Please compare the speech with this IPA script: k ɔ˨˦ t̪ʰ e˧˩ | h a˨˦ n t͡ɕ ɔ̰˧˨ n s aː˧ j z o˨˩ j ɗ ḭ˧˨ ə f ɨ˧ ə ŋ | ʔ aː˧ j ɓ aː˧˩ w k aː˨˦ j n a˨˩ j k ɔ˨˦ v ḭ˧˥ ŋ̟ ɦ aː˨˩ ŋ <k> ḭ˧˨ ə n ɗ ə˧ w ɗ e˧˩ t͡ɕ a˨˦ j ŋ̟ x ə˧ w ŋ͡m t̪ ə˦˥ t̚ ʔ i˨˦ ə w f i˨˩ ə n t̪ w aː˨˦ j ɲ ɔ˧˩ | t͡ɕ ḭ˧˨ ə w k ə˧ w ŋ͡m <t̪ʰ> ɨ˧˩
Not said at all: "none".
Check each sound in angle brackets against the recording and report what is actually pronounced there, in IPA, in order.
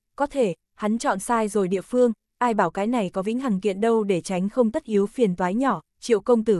k, t̪

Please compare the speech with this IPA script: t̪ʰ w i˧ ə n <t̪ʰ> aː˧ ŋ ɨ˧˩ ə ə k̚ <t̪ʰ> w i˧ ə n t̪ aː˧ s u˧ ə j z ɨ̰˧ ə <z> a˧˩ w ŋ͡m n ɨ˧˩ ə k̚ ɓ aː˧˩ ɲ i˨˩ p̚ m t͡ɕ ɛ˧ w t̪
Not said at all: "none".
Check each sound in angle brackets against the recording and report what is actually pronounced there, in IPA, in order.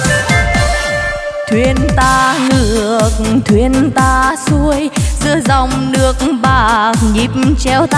t̪, t̪ʰ, z

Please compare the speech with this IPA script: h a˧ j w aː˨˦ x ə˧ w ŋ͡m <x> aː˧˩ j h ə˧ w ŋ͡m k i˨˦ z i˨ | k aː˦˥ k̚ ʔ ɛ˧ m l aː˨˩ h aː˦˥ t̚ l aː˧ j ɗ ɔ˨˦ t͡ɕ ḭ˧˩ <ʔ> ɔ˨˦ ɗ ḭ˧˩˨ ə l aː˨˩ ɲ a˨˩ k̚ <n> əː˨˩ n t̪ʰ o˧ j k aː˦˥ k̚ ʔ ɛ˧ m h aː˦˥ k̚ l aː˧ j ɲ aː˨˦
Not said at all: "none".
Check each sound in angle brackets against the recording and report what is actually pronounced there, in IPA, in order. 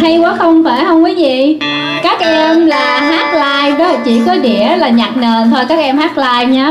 f, k, n

